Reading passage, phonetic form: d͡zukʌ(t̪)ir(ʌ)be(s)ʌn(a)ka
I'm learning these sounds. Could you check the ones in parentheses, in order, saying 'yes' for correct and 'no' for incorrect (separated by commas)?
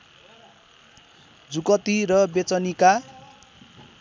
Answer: yes, yes, no, no